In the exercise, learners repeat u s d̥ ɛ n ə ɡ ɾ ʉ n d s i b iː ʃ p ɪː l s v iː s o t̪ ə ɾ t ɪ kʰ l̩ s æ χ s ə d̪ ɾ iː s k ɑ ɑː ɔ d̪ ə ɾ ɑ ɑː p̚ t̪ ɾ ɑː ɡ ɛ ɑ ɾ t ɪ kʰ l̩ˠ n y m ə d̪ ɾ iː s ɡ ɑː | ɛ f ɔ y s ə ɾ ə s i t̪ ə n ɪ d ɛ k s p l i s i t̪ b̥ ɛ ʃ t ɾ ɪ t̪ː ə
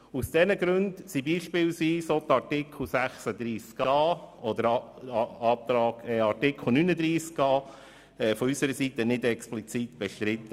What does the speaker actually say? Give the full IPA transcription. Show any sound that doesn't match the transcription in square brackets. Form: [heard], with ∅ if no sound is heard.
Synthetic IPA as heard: u s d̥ ɛ n ə ɡ ɾ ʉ n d s i b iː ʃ p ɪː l s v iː s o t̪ [ɑ] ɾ t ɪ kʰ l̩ s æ χ s ə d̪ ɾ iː s k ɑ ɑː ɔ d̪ ə ɾ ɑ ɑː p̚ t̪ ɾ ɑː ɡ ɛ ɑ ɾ t ɪ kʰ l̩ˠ n y [n] ə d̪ ɾ iː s [k] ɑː | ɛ f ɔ y s ə ɾ ə s i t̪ ə n ɪ d ɛ k s p l i [t͡s] i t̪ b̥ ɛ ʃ t ɾ ɪ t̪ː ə